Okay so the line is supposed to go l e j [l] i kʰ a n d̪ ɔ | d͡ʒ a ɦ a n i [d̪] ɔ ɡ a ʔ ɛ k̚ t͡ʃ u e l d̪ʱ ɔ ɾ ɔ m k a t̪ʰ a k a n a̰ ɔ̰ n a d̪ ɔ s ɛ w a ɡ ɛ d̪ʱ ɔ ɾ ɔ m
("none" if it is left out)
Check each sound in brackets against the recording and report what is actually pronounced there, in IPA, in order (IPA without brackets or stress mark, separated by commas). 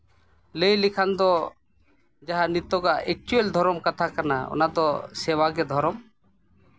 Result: l, t̪